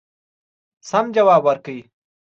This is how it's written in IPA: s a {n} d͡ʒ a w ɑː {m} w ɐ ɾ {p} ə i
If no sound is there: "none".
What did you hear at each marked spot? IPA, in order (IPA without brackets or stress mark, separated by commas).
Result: m, b, k